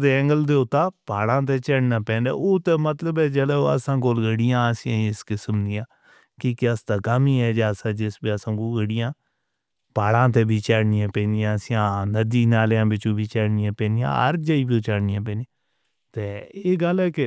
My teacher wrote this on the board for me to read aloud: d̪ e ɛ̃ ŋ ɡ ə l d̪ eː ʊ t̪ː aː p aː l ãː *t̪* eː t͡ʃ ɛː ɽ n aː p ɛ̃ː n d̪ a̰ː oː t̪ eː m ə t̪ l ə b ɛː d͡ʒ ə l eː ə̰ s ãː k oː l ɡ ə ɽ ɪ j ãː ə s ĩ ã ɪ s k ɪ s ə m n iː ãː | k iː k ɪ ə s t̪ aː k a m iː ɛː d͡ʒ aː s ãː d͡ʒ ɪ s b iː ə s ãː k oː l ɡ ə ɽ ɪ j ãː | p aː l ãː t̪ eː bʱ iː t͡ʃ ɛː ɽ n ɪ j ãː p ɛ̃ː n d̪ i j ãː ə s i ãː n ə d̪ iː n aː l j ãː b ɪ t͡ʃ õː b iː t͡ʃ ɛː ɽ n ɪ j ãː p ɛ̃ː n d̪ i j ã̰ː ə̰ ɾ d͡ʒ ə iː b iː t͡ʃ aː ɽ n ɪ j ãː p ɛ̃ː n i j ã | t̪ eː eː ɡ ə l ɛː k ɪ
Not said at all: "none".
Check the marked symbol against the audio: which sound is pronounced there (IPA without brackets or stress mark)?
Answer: t̪